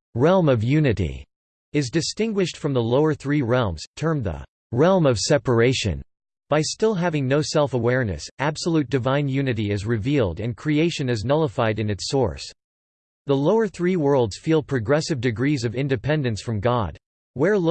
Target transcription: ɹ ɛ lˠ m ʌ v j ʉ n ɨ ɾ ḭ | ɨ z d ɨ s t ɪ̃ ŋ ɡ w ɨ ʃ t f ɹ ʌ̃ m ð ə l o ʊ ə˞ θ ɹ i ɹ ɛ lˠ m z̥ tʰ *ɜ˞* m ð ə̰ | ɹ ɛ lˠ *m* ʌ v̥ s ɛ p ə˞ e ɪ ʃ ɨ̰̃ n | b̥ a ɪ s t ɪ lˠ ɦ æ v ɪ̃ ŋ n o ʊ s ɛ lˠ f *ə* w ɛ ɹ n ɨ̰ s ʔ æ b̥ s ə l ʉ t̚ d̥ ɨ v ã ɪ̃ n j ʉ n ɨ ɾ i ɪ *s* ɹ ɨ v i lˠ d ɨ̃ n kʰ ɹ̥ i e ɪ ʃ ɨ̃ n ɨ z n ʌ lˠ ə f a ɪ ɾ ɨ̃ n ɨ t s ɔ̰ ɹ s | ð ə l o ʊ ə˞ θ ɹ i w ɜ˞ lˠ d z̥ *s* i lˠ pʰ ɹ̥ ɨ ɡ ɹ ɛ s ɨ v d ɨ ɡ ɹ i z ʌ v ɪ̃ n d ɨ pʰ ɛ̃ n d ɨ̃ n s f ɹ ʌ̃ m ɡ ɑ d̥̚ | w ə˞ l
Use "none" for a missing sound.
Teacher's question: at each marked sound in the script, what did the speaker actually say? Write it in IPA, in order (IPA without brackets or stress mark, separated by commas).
ɜ̃˞, m, ə, z, f